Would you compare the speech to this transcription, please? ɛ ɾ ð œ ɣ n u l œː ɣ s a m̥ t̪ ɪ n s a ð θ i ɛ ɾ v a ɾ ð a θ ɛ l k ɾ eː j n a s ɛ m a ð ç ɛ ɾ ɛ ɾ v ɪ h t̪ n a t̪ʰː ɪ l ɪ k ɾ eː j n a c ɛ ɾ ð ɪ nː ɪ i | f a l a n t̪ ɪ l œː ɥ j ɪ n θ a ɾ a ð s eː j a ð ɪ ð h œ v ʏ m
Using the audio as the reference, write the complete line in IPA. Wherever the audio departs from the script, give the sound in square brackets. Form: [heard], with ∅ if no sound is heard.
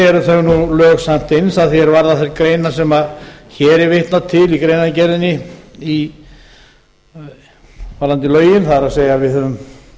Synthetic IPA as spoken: ɛ ɾ [θ] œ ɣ n u l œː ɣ s a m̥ t̪ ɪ n s a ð θ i ɛ ɾ v a ɾ ð a θ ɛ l k ɾ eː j n a s ɛ m a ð ç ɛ ɾ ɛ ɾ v ɪ h t̪ n a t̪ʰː ɪ l [i] k ɾ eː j n a c ɛ ɾ ð ɪ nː ɪ i | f a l a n t̪ ɪ l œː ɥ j ɪ n θ a ɾ a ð s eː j a [v] ɪ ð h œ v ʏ m